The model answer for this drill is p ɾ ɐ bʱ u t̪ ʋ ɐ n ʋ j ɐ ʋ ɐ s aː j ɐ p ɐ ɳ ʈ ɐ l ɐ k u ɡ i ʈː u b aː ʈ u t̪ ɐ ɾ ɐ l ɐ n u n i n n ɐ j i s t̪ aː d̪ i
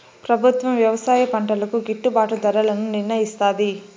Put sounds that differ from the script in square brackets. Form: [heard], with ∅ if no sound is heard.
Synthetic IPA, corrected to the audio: p ɾ ɐ bʱ u t̪ ʋ ɐ [m] ʋ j ɐ ʋ ɐ s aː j ɐ p ɐ ɳ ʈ ɐ l ɐ k u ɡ i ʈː u b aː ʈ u [d̪] ɐ ɾ ɐ l ɐ n u n i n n ɐ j i s t̪ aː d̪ i

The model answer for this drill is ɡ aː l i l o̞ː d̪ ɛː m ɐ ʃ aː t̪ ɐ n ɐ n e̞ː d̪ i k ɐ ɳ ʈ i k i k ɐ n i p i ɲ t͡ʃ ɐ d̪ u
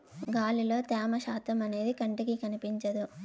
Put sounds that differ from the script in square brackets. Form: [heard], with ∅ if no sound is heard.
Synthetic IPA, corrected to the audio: ɡ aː l i l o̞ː [t̪] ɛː m ɐ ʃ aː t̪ ɐ [m] ɐ n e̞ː d̪ i k ɐ ɳ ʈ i k i k ɐ n i p i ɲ t͡ʃ ɐ d̪ u

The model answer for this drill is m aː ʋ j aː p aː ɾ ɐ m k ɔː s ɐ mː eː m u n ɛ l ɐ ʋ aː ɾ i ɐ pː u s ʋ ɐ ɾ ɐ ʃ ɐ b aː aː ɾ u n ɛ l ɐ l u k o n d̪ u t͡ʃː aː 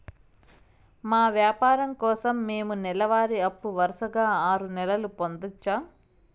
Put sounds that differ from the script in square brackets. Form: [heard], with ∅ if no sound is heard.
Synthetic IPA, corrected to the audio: m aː ʋ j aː p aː ɾ ɐ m k ɔː s ɐ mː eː m u n ɛ l ɐ ʋ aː ɾ i ɐ pː u [∅] ʋ ɐ ɾ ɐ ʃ ɐ [ɡ] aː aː ɾ u n ɛ l ɐ l u [p] o n d̪ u t͡ʃː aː

